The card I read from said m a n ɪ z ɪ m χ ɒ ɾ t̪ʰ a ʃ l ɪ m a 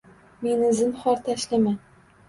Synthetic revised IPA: m e n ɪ z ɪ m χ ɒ ɾ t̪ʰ a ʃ l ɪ m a